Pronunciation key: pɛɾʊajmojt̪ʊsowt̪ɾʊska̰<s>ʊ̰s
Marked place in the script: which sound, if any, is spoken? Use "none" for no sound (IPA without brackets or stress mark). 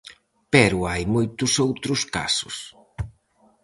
s